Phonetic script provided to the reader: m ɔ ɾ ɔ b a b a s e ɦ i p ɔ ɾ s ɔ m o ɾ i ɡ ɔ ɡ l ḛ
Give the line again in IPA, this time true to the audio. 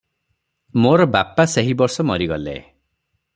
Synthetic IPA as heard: m o ɾ ɔ b a p a s e ɦ i b ɔ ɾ s ɔ m ɔ ɾ i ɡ ɔ l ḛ